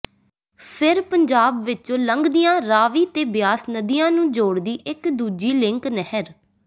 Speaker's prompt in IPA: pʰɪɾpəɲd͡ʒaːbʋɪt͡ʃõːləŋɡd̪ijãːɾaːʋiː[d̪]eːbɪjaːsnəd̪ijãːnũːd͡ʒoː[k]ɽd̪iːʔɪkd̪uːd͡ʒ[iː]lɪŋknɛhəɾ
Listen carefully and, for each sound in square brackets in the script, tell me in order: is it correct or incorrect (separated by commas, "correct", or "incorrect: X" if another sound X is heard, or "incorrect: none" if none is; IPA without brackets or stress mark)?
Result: incorrect: t̪, incorrect: none, correct